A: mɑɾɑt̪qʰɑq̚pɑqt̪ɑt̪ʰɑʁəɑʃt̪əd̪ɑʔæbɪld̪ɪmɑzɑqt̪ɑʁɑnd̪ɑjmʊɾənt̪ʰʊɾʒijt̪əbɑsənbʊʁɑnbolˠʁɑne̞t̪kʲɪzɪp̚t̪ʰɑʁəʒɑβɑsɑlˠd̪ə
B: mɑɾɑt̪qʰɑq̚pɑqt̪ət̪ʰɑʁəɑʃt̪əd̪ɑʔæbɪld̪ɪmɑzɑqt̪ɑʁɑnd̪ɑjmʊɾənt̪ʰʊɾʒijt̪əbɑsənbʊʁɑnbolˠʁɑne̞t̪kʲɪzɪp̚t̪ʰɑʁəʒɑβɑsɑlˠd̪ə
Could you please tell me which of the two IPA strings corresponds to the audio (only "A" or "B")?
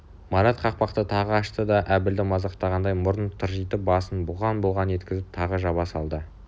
B